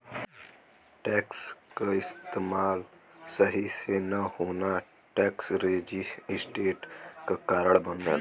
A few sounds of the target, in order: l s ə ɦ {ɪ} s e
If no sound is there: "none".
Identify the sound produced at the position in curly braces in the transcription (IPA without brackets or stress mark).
i